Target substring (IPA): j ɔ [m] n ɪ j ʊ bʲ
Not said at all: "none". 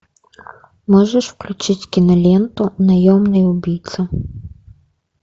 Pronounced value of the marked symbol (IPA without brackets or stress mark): m